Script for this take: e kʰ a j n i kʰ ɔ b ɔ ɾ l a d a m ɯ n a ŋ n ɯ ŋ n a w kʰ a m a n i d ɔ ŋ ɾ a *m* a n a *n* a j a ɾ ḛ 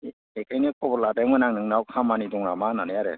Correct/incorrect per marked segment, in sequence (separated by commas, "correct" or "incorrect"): correct, correct